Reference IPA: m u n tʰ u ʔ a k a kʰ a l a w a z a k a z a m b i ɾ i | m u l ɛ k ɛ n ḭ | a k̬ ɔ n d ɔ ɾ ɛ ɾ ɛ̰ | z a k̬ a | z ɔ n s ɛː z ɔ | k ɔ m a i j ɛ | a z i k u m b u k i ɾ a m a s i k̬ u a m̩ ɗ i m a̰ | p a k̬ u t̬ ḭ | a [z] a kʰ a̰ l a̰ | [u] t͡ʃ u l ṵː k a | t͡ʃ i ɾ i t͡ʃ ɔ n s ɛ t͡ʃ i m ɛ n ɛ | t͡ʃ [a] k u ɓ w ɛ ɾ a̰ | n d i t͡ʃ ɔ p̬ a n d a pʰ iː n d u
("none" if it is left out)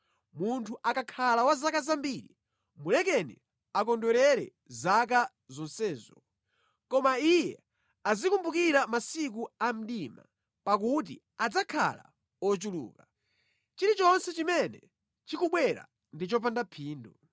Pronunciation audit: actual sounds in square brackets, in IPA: d͡z, ɔ, i

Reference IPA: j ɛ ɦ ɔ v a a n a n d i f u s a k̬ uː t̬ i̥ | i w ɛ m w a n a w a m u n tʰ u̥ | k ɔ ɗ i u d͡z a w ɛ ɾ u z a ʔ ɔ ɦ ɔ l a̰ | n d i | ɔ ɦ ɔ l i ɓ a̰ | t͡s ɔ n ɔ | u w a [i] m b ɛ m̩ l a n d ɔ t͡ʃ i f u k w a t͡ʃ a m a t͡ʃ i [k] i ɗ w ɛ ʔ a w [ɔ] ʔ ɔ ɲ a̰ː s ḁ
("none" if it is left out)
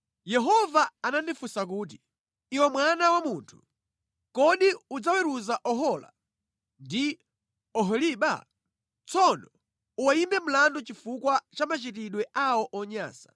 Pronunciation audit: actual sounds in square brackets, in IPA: i, t, ɔ

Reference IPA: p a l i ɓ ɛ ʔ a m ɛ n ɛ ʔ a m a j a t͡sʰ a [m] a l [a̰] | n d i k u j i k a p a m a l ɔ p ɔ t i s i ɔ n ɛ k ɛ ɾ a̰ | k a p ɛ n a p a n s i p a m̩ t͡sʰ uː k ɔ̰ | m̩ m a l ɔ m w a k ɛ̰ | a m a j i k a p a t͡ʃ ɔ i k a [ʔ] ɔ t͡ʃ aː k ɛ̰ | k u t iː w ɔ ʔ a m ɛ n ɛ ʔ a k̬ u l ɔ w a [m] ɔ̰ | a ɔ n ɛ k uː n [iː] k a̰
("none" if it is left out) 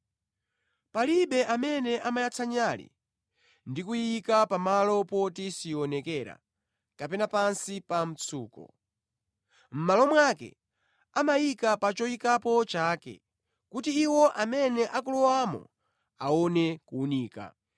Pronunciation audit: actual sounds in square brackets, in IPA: ɲ, ḭ, p, m, iː

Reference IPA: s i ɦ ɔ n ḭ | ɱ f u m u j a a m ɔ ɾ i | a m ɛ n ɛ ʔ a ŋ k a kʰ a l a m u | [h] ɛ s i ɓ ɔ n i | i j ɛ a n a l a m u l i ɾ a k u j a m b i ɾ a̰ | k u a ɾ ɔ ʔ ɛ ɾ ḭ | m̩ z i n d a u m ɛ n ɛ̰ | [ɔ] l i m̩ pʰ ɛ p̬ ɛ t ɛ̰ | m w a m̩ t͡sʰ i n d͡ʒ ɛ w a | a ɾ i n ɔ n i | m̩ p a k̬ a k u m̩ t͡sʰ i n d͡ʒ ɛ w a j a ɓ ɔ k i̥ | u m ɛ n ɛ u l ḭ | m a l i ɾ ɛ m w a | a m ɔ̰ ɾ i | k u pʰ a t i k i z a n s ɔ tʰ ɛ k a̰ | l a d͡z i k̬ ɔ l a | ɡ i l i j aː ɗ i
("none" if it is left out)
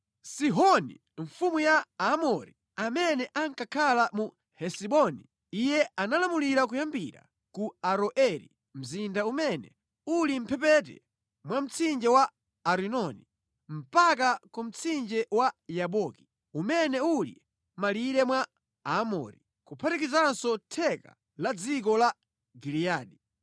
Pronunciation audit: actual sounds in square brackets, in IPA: h, u

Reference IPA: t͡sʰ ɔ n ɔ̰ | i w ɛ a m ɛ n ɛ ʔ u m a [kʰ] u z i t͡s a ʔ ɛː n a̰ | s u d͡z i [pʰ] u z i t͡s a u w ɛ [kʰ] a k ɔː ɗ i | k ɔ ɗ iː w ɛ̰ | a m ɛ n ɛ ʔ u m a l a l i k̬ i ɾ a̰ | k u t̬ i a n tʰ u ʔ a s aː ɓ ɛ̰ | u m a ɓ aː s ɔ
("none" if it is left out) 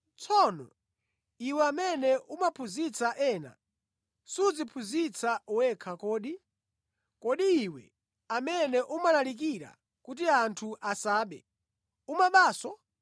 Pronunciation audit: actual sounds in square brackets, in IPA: pʰ, pʰ, kʰ

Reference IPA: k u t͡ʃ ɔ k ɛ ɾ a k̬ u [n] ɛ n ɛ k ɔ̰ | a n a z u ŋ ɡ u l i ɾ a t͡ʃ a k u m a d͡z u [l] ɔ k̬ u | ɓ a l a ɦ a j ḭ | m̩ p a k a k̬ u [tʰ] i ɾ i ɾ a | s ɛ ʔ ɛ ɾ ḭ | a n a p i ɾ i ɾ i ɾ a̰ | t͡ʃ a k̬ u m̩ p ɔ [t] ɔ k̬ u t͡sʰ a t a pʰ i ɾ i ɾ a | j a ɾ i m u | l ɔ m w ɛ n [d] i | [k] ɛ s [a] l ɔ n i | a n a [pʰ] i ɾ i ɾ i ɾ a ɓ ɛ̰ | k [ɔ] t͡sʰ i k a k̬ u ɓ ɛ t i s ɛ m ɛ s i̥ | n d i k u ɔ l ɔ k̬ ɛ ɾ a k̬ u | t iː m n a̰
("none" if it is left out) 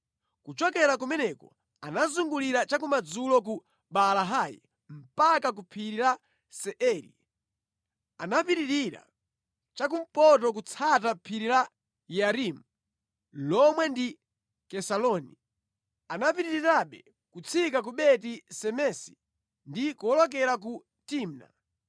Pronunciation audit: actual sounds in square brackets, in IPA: m, l, pʰ, t, d, k, a, p, u

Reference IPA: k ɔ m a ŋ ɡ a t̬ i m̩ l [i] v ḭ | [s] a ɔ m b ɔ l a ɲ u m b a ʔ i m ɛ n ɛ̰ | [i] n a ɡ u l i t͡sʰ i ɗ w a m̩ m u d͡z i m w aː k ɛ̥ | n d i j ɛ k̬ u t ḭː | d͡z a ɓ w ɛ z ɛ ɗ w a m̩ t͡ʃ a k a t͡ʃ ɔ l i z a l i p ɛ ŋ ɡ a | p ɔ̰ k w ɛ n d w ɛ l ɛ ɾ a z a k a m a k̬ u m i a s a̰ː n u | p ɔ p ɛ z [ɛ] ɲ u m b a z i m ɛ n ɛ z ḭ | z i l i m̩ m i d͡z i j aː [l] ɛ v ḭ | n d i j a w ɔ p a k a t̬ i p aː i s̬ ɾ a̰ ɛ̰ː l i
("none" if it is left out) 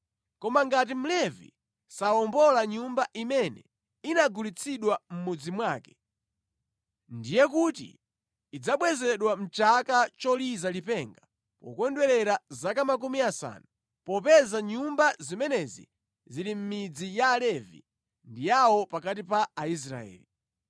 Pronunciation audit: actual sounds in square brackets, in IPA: ɛ, s, i, a, l

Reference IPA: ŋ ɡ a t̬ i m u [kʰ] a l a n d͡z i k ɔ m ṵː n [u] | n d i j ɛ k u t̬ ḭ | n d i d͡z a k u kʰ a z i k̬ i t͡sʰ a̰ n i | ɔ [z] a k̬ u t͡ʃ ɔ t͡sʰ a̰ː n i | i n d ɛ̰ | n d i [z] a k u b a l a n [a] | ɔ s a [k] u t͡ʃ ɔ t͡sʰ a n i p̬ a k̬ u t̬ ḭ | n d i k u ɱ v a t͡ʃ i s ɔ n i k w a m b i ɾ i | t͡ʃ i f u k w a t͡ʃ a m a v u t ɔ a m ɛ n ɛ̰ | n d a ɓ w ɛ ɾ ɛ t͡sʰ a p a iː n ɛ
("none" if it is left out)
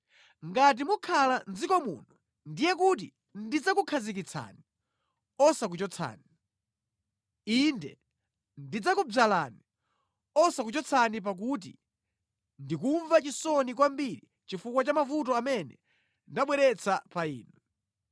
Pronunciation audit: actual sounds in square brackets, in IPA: kʰ, u, s, d͡z, i, k

